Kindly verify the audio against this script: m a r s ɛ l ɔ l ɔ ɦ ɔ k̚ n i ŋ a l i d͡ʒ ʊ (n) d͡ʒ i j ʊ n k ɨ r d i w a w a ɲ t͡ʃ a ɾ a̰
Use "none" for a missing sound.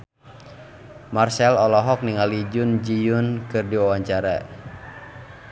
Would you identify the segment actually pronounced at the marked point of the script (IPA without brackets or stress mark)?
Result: n